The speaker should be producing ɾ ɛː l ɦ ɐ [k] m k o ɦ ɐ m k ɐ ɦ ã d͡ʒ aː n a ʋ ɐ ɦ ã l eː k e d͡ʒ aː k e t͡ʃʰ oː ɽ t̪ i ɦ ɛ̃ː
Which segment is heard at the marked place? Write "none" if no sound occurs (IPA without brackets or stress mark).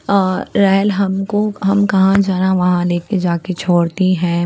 none